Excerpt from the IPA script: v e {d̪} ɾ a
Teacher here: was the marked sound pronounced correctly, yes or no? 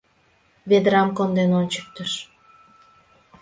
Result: yes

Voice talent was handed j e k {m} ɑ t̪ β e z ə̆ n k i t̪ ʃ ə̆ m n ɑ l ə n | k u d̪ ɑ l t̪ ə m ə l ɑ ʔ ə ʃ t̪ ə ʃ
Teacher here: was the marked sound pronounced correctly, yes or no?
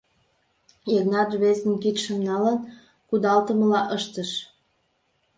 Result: no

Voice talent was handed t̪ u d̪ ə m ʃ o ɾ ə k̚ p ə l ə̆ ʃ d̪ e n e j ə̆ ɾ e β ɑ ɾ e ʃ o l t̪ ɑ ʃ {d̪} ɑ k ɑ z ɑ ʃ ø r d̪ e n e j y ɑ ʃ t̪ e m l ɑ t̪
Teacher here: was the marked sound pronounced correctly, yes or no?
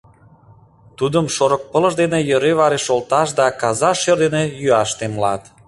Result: yes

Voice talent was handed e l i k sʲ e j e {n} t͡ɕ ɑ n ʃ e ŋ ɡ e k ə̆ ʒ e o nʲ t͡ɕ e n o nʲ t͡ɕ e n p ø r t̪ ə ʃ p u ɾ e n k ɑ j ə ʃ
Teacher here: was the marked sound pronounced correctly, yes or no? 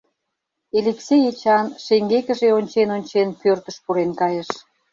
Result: no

